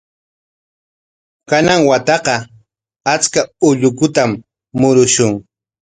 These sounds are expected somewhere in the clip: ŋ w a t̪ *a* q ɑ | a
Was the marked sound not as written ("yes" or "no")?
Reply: yes